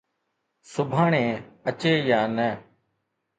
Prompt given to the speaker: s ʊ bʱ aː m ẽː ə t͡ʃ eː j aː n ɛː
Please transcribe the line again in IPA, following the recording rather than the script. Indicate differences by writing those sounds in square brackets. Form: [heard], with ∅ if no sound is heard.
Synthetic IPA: s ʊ bʱ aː [ɳ] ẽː ə t͡ʃ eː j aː n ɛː